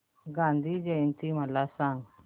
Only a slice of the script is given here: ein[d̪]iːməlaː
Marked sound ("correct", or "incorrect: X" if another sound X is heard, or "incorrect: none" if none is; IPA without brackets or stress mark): incorrect: t̪